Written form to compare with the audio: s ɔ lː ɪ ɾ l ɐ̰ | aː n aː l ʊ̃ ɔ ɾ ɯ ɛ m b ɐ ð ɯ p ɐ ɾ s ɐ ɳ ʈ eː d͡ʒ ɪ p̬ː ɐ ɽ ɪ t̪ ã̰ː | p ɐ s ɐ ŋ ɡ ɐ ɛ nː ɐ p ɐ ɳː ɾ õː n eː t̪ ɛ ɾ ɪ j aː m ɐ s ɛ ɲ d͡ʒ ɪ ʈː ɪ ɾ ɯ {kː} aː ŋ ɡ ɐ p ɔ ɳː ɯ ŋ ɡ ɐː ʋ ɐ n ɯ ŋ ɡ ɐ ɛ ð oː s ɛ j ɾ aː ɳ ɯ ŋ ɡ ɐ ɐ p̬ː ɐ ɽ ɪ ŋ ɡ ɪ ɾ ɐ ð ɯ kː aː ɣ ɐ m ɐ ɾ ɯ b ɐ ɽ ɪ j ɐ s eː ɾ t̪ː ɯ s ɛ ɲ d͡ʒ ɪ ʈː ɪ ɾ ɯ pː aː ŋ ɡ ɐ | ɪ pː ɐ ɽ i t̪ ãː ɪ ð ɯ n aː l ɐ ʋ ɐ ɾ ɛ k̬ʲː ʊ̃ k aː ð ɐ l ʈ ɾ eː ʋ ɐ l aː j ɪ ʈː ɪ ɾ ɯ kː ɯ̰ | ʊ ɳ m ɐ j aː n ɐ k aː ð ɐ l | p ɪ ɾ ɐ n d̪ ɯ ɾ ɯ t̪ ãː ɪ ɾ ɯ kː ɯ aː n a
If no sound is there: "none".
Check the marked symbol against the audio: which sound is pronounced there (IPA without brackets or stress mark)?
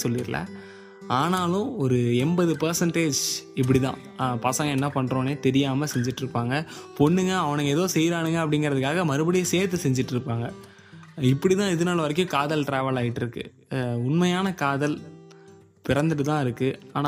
pː